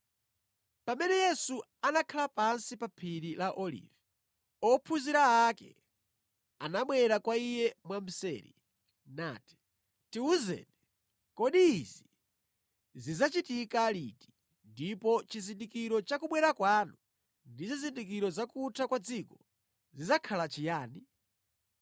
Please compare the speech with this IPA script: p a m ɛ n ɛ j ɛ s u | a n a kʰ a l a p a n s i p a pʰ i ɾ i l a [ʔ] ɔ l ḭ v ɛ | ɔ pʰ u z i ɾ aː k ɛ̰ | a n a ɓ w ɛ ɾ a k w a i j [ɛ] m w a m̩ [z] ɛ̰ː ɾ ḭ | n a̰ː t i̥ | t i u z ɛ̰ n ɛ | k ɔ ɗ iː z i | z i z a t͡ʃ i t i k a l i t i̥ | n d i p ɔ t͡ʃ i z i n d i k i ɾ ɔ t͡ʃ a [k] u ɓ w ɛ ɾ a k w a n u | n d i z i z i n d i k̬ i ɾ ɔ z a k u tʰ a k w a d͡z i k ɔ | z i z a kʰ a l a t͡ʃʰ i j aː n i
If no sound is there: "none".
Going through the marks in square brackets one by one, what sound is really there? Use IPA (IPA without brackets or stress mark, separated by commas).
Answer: ʔ, ɛ, s, k